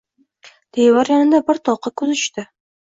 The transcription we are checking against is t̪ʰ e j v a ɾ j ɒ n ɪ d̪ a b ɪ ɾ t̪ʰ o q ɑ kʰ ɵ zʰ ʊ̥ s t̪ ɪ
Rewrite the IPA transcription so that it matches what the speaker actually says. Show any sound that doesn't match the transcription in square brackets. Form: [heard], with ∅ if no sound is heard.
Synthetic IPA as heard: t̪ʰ e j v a ɾ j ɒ n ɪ d̪ a b ɪ ɾ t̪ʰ [ɒ] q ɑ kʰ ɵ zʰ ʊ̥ [ʃ] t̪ ɪ